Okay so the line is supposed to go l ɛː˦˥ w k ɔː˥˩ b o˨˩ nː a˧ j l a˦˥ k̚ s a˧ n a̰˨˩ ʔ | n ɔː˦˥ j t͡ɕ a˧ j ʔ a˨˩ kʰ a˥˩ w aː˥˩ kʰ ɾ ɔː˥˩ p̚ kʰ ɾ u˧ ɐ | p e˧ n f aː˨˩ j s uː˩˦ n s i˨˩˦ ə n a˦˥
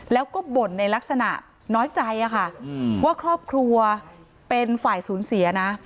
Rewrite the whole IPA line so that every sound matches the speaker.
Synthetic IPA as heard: l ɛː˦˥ w k ɔː˥˩ b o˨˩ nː a˧ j l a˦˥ k̚ s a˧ n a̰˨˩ ʔ | n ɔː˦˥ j t͡ɕ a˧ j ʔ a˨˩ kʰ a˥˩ w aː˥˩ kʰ ɾ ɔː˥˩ p̚ kʰ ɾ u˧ ɐ | p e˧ n f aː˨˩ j s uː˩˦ n s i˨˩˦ ɐ n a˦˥